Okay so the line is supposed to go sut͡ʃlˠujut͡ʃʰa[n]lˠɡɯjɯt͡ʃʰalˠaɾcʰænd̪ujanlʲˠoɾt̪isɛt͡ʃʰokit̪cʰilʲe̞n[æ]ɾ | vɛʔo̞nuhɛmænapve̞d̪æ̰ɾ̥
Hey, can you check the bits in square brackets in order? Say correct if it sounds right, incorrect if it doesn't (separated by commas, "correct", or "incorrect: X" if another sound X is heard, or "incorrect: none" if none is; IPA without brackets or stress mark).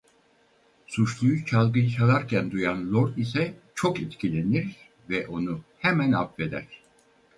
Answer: incorrect: none, incorrect: i